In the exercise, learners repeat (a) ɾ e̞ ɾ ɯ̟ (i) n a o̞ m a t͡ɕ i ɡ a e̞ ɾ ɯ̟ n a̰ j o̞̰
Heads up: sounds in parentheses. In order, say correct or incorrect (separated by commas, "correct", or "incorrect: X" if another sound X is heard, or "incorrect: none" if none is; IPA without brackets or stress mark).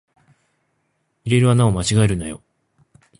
incorrect: i, incorrect: a